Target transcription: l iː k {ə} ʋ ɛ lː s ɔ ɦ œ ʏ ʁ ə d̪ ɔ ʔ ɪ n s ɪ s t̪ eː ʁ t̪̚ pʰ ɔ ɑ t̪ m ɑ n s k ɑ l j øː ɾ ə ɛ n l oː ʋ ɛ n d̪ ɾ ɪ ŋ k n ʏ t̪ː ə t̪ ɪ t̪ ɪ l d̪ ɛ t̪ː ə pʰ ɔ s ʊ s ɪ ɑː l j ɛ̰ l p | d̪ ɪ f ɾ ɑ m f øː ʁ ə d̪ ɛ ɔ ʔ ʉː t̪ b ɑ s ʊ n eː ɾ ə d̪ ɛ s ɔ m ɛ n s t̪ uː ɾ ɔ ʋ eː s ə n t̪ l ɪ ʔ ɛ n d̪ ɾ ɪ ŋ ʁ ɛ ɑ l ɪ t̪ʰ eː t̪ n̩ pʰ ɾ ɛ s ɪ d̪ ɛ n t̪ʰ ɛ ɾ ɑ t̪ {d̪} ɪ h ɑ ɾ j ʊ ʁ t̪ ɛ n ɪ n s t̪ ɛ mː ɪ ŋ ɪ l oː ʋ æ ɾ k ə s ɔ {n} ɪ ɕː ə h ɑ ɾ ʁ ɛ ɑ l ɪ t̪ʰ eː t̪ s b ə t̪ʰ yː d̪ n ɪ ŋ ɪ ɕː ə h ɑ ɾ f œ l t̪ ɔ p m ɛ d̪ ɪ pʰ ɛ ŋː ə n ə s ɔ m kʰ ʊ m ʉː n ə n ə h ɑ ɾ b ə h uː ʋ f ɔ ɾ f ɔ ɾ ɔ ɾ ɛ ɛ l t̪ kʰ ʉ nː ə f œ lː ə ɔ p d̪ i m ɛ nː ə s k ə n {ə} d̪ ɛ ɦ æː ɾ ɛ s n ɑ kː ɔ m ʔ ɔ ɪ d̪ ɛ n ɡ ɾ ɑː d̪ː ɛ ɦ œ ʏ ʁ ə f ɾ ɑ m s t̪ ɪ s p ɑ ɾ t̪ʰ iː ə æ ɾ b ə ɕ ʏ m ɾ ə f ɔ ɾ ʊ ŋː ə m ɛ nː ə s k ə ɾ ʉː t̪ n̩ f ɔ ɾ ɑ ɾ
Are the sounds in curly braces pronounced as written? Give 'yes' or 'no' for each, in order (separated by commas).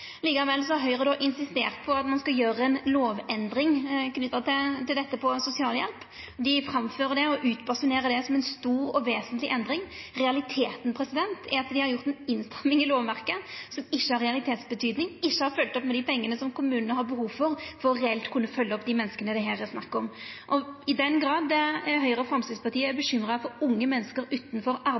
no, yes, no, yes